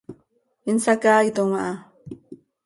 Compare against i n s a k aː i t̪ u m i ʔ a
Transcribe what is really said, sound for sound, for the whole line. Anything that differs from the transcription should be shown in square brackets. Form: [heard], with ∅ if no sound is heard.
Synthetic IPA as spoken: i n s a k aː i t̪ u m [a] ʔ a